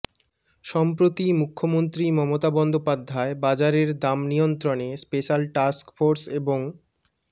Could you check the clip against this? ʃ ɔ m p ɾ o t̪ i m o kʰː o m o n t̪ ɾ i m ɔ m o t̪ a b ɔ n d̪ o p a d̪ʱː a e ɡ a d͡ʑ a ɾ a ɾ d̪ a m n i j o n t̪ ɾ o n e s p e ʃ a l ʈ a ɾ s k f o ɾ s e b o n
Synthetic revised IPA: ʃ ɔ m p ɾ o t̪ i m u kʰː o m o n t̪ ɾ i m ɔ m o t̪ a b ɔ n d̪ o p a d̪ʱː a e b a d͡ʑ a ɾ e ɾ d̪ a m n i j o n t̪ ɾ o n e s p e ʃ a l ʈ a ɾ s k f o ɾ s e b o ŋ